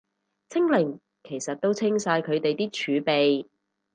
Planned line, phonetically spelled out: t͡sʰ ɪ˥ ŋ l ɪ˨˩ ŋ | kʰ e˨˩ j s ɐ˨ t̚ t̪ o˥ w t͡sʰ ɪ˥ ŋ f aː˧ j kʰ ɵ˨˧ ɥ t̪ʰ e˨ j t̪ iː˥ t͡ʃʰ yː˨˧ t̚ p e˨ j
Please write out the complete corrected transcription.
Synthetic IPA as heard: t͡sʰ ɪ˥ ŋ l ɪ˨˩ ŋ | kʰ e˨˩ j s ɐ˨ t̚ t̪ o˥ w t͡sʰ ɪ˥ ŋ s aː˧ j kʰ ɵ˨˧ ɥ t̪ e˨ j t̪ iː˥ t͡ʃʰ yː˨˧ p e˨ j